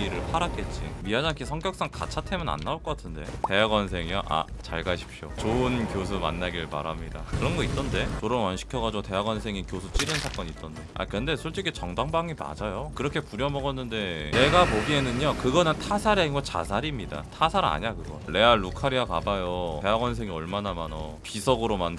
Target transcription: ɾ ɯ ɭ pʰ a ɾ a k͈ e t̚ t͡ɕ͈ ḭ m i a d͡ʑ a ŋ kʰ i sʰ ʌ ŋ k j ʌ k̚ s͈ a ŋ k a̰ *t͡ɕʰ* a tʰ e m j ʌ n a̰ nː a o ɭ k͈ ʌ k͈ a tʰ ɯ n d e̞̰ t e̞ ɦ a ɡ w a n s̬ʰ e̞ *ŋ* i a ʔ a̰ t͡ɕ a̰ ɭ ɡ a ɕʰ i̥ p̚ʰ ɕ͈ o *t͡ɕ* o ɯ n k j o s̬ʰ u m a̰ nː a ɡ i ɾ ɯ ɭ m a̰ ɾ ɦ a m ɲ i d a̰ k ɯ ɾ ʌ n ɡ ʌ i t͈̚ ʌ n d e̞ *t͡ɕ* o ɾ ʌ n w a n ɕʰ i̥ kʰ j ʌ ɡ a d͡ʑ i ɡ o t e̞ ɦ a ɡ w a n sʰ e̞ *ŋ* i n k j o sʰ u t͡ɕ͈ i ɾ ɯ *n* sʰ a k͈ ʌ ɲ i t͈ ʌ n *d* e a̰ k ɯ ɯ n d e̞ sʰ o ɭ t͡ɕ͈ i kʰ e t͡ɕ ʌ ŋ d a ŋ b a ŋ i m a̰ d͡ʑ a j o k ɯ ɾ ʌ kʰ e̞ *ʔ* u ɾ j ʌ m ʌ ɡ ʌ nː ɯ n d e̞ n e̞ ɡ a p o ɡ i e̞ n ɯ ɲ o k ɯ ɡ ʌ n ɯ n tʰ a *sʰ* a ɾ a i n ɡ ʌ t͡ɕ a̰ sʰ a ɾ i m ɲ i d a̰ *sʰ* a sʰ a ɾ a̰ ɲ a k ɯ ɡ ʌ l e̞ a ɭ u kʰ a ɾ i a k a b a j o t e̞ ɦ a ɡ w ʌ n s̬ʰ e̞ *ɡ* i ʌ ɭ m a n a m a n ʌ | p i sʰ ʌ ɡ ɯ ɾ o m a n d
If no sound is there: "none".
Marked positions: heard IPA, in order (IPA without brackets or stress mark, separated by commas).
t͡ɕʰ, ŋ, t͡ɕ, t͡ɕ, ŋ, n, d, p, sʰ, tʰ, ŋ